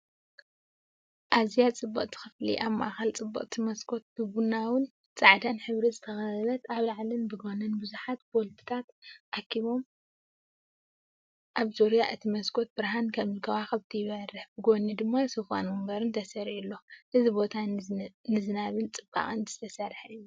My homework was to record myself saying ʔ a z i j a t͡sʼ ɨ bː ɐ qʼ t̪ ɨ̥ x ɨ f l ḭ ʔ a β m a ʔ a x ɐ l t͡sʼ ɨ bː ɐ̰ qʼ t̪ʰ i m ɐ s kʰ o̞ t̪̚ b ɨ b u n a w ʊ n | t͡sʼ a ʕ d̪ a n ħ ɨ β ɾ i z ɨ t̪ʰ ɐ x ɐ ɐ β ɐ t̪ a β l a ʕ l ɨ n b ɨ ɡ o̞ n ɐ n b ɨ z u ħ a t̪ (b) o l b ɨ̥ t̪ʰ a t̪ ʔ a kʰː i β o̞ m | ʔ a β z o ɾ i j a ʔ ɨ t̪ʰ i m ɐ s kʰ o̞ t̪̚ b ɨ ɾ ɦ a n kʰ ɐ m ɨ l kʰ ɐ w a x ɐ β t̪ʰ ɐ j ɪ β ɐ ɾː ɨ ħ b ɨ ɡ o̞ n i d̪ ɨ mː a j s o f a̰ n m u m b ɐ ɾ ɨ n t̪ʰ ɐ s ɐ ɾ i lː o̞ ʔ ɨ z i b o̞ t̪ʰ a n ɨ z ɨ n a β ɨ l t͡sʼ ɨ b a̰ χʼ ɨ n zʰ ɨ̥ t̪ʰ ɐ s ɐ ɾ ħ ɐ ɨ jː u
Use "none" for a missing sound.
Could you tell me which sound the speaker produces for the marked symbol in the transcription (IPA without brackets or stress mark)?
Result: b